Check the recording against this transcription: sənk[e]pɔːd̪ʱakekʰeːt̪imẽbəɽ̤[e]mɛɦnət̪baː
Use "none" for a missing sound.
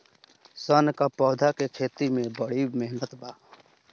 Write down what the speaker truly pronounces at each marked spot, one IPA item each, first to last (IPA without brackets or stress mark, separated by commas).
a, i